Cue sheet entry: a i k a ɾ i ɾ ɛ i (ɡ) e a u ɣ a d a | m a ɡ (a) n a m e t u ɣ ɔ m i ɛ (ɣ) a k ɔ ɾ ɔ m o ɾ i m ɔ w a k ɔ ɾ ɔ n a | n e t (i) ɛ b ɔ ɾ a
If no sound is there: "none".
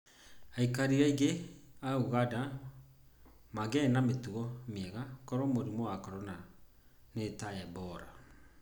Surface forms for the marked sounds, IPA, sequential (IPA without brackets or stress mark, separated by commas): ɡ, ɛ, ɣ, a